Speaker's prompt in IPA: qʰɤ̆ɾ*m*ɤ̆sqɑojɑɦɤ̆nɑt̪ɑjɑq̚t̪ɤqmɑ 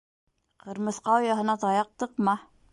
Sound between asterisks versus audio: correct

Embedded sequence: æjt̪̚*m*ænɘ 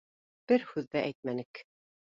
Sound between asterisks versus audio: correct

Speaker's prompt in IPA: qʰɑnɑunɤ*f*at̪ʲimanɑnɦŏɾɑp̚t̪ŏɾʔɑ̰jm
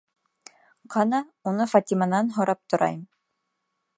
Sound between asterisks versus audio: correct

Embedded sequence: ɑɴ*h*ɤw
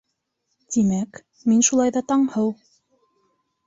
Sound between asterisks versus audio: correct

